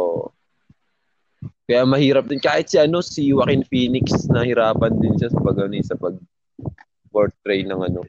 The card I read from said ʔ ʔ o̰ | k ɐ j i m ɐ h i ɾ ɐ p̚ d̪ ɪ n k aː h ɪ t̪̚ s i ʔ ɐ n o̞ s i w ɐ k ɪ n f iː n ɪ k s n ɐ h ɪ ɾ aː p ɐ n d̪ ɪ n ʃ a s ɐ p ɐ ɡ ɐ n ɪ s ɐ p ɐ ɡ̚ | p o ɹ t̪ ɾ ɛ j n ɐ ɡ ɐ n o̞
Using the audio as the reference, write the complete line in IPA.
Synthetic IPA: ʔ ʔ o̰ | k ɐ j a m ɐ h iː ɾ ɐ p̚ d̪ ɪ n k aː h ɪ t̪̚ s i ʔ ɐ n o̞ s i w ɐ k ɪ n f iː n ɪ k s n ɐ h ɪ ɾ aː p ɐ n d̪ ɪ n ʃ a s ɐ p ɐ ɡ ɐ n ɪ s ɐ p ɐ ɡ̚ | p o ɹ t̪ ɾ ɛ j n ɐ ŋ ɐ n o̞